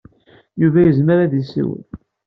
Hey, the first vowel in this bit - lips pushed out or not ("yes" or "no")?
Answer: yes